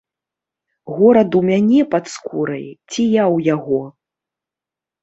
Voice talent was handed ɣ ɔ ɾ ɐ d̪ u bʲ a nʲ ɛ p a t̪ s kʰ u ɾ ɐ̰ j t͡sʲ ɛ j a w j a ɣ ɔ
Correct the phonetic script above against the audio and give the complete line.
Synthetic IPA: ɣ ɔ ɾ ɐ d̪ u mʲ a nʲ ɛ p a t̪ s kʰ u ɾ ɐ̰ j t͡sʲ i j a w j a ɣ ɔ